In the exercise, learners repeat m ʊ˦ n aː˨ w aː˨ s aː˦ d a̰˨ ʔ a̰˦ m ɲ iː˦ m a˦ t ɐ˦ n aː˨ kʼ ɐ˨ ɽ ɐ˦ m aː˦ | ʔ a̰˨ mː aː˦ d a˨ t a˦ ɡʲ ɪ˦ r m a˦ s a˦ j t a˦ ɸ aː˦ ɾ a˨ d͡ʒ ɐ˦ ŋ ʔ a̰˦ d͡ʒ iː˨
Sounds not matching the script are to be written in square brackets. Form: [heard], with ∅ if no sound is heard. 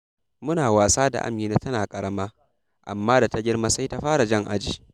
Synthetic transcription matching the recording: m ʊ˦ n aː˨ w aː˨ s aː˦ d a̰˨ ʔ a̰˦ m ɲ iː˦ [n] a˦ t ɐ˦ n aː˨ kʼ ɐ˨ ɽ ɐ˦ m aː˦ | ʔ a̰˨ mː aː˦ d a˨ t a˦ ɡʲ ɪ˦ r m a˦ s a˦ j t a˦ ɸ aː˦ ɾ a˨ d͡ʒ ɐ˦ ŋ ʔ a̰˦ d͡ʒ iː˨